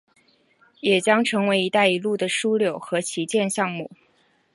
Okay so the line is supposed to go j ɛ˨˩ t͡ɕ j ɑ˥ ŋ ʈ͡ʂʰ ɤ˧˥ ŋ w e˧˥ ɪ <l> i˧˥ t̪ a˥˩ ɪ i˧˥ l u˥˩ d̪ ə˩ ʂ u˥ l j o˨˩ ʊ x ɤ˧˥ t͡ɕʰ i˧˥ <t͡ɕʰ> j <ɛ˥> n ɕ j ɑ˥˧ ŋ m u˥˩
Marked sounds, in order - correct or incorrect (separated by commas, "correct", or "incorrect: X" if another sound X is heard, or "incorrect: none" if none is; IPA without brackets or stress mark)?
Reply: incorrect: none, incorrect: t͡ɕ, incorrect: ɛ˥˧